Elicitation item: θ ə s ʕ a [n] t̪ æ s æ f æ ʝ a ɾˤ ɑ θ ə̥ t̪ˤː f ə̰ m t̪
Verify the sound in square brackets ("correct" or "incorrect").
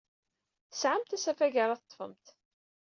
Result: incorrect